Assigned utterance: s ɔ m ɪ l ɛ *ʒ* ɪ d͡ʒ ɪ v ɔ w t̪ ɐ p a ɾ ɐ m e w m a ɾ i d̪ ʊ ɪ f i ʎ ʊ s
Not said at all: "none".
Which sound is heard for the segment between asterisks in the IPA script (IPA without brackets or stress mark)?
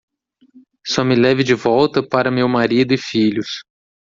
v